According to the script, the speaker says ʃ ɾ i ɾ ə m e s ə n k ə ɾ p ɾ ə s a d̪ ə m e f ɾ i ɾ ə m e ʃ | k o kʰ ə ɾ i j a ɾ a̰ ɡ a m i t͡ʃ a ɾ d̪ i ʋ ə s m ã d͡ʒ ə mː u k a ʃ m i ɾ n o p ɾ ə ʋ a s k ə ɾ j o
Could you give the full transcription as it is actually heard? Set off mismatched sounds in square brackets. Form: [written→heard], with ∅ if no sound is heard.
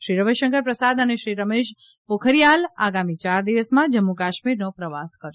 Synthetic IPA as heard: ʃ ɾ i ɾ ə m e [s→ʃ] ə [n→ŋ] k ə ɾ p ɾ ə s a d̪ ə [m→n] e [f→ʃ] ɾ i ɾ ə m e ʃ | [k→p] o kʰ ə ɾ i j a [ɾ→l] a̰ ɡ a m i t͡ʃ a ɾ d̪ i ʋ ə s m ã d͡ʒ ə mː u k a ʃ m i ɾ n o p ɾ ə ʋ a s k ə ɾ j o